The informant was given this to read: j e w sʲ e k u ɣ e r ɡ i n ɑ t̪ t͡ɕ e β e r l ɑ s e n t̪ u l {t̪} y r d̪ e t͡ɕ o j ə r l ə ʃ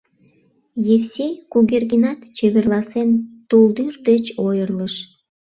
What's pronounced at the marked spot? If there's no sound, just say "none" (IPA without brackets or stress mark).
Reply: d̪